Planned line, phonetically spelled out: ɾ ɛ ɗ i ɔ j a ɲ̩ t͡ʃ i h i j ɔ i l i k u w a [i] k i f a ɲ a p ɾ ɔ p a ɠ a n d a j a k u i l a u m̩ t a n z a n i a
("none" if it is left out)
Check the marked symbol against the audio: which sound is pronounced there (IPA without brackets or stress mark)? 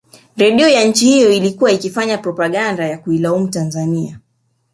i